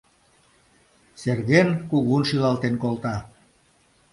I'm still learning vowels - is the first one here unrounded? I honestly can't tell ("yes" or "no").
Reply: yes